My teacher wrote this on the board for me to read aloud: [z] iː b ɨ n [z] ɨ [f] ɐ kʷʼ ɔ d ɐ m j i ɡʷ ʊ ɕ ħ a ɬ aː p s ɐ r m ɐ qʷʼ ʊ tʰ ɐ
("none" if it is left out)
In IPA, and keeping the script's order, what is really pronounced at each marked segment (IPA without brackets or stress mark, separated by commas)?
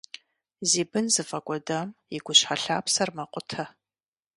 z, z, f